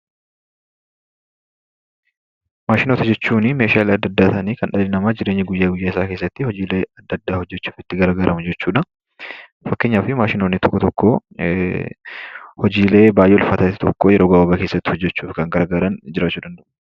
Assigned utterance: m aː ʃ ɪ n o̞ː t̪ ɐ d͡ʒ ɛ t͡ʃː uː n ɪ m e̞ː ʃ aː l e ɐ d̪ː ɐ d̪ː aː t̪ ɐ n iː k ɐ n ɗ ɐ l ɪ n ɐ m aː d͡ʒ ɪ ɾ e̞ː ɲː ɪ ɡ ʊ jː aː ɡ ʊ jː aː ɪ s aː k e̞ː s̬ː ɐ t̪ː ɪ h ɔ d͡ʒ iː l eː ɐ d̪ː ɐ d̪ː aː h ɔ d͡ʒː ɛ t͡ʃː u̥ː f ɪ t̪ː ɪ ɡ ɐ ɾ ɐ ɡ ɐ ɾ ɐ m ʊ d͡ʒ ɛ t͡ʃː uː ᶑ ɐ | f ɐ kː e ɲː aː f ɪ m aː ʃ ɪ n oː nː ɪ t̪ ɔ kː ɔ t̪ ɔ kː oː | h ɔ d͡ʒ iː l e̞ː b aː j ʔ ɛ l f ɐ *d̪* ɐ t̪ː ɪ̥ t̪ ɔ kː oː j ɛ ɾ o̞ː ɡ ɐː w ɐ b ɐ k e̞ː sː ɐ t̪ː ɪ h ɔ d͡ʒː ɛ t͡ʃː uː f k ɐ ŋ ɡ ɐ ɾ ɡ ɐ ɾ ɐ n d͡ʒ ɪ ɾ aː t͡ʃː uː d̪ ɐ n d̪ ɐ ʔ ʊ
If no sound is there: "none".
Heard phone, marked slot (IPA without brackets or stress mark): t̪